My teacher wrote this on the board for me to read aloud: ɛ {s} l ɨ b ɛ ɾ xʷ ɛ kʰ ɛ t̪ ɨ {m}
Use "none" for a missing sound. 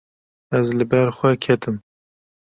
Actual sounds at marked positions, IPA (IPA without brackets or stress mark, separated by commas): z, m